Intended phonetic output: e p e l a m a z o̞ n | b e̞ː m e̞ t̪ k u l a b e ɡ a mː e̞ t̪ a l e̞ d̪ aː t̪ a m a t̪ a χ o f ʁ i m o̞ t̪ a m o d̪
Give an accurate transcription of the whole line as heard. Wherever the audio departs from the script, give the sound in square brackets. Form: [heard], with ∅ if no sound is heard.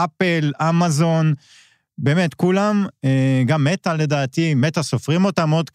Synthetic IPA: [a] p e l a m a z o̞ n | b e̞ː m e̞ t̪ k u l a [m] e ɡ a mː e̞ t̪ a l e̞ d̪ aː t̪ [i] m [e] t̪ a [s] o f ʁ i m o̞ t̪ a m o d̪